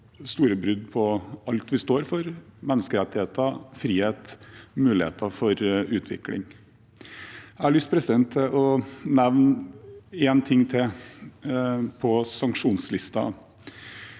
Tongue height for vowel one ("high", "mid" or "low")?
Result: high